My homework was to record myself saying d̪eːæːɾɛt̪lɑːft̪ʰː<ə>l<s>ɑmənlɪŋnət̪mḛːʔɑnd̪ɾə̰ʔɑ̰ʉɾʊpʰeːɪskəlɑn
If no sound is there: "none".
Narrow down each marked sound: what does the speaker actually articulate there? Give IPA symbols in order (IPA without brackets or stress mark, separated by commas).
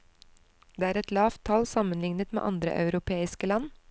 ɑ, s